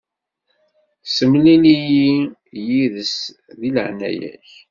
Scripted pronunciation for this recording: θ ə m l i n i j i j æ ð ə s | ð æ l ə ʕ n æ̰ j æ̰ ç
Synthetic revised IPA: s ə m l i n i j i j i ð ə s | ð i l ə ʕ n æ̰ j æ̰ ç

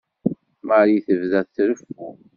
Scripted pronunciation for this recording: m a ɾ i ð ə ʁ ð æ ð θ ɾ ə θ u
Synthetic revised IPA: m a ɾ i θ ə v ð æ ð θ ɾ ə f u

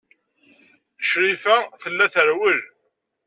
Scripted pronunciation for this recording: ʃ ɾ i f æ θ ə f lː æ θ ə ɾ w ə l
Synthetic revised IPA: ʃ ɾ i f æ θ ə lː æ θ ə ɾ w ə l

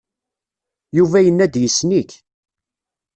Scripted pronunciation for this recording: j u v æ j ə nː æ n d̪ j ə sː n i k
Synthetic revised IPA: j u v æ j ə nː æ d̪ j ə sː n i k

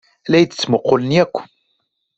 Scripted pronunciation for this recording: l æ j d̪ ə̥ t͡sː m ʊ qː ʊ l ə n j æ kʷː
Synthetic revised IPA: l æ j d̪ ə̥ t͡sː m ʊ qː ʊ l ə n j æ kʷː

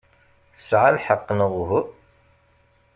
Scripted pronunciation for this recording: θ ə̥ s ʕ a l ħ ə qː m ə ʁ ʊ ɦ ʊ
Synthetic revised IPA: θ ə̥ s ʕ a l ħ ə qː n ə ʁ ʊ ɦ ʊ

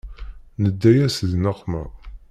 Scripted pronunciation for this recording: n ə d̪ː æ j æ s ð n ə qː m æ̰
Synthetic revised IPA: n ə d̪ː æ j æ s ð n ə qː m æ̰

